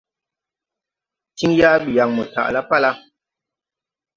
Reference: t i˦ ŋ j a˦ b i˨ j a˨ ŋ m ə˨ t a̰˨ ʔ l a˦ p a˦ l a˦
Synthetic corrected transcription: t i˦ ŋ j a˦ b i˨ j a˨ ŋ m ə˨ t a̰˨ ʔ l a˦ p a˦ l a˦